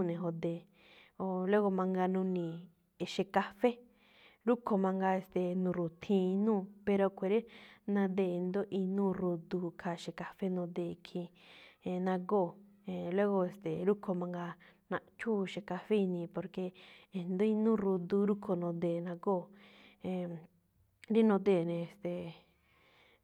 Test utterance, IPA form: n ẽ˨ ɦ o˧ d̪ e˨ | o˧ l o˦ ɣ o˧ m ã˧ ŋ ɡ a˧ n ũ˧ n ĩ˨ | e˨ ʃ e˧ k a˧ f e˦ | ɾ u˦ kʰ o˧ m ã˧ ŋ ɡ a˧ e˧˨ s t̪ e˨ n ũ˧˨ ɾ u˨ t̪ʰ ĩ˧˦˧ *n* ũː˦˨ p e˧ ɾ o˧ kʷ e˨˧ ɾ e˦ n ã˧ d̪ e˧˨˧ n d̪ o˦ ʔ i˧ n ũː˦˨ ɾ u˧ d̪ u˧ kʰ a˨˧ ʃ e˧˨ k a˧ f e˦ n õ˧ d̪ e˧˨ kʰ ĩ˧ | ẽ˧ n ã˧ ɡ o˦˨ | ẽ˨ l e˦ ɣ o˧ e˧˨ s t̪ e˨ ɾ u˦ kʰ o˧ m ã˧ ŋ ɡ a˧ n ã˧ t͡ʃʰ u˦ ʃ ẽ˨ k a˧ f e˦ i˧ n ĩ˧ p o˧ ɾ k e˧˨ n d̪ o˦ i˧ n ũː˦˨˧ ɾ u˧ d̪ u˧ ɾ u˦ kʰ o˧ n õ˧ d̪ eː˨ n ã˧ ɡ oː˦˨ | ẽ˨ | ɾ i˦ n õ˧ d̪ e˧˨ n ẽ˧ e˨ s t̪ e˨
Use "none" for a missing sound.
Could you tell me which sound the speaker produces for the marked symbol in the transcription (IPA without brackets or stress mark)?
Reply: n